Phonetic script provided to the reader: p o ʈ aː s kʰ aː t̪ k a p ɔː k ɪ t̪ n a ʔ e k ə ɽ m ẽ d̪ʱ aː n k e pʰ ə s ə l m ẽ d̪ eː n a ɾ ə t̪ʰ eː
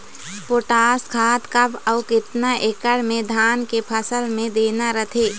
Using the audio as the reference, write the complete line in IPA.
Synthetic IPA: p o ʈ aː s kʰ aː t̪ k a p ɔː k ɪ t̪ n a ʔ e k ə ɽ m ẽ d̪ʱ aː n k e pʰ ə s ə l m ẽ d̪ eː n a ɾ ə t̪ʰ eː